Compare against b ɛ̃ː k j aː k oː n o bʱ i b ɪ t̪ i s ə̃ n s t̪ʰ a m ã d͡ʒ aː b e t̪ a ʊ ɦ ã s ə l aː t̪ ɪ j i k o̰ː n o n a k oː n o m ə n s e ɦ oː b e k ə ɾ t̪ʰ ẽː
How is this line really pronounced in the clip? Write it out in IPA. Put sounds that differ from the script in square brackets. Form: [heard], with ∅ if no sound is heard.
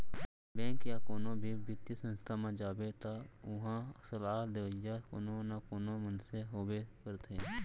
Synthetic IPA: b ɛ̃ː k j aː k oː n o bʱ i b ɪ t̪ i s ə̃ n s t̪ʰ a m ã d͡ʒ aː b e t̪ a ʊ ɦ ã s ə l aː [d̪] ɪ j [a] k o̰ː n o n a k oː n o m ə n s e ɦ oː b e k ə ɾ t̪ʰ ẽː